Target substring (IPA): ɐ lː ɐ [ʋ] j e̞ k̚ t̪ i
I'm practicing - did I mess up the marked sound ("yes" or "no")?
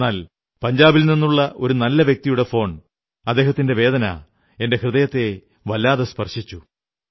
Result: no